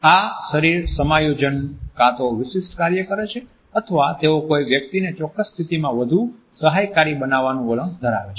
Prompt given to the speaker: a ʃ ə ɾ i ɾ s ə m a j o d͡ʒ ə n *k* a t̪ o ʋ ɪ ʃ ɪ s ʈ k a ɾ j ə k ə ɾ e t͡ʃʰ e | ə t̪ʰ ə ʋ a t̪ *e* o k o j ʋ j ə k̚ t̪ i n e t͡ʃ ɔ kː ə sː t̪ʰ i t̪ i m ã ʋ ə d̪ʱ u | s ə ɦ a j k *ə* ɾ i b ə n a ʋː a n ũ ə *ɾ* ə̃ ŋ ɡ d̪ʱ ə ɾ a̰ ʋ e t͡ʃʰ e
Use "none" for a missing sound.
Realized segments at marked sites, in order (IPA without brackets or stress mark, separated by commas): k, e, a, l